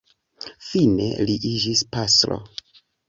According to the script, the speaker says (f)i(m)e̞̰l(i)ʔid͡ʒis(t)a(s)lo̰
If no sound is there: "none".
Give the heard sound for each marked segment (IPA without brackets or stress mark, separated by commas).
f, n, i, p, s